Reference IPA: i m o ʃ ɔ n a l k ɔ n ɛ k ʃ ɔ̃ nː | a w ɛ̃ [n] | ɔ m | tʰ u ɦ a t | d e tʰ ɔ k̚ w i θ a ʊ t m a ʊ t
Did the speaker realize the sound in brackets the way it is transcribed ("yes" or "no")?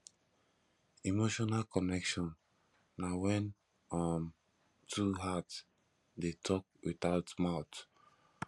yes